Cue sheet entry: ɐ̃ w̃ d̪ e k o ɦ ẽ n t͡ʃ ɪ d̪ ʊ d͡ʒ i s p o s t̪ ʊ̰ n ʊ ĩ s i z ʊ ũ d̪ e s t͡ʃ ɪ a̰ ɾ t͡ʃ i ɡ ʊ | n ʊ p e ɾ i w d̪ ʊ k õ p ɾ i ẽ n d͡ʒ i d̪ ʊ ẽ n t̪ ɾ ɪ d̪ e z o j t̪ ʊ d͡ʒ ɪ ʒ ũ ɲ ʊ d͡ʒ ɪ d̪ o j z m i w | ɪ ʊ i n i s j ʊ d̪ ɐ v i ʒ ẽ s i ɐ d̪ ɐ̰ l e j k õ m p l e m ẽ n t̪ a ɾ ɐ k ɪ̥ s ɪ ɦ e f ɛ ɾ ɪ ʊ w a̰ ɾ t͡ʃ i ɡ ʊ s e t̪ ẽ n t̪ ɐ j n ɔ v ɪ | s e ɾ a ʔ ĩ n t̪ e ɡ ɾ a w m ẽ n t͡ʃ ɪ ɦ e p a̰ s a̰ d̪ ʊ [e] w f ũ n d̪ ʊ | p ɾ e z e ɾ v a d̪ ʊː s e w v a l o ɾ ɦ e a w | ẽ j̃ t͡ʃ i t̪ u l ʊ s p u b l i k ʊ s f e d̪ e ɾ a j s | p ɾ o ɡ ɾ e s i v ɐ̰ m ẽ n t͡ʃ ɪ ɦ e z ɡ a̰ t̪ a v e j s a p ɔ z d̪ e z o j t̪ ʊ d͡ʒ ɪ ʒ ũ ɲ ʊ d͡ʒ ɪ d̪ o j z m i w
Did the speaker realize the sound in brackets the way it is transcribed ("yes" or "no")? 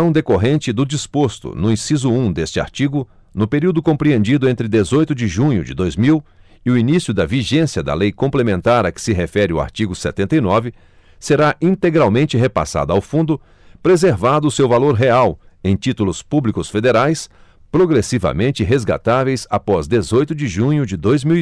no